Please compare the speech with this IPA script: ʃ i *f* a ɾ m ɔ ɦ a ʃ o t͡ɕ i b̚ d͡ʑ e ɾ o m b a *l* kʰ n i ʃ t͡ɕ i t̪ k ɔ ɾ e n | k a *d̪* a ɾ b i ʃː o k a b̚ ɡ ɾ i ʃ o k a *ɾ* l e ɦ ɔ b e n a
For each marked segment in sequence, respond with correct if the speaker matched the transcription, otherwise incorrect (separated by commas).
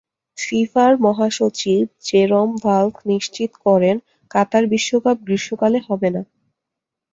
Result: correct, correct, incorrect, incorrect